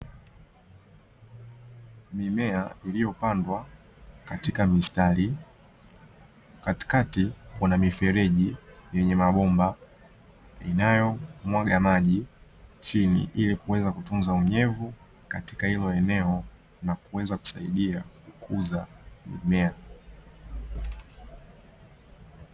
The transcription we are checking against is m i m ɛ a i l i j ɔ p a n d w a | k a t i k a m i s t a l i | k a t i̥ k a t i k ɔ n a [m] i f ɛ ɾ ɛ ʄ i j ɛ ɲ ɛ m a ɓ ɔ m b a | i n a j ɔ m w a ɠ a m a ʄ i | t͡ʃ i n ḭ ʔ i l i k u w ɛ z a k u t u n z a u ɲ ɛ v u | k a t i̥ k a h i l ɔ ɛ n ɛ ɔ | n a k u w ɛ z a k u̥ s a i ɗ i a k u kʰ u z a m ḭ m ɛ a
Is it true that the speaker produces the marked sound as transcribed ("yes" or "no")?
yes